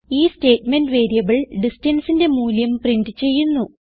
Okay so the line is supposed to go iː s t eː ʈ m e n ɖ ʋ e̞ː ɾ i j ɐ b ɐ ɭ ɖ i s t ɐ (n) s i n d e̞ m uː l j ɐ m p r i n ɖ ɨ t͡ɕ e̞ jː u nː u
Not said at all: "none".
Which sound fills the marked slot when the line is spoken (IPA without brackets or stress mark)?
n